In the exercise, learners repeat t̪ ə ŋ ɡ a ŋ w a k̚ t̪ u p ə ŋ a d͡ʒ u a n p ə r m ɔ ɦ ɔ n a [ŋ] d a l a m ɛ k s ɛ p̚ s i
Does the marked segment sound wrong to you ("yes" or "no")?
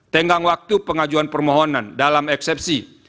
yes